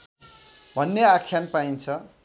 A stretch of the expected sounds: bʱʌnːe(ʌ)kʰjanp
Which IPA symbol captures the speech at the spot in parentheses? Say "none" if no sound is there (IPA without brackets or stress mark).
a